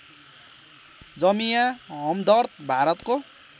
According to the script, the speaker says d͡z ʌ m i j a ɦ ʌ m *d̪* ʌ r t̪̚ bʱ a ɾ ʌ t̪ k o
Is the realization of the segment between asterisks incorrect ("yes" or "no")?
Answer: no